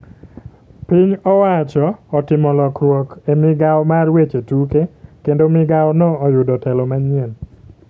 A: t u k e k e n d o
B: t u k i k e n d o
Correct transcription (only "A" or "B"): A